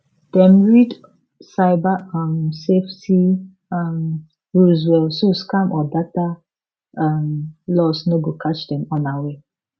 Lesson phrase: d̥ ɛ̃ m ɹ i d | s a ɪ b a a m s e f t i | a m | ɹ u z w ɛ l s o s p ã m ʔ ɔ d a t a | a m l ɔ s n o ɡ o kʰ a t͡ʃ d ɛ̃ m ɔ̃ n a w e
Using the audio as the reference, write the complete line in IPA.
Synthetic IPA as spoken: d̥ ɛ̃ m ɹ i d | s a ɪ b a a m s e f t i | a m | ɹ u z w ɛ l s o s k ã m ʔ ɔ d a t a | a m l ɔ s n o ɡ o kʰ a t͡ʃ d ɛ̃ m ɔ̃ n a w e